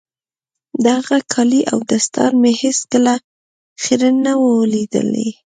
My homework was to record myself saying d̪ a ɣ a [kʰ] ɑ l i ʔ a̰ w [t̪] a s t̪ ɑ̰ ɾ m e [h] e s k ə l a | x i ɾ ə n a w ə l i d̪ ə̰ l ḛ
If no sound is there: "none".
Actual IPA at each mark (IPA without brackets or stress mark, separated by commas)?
kʰ, d̪, h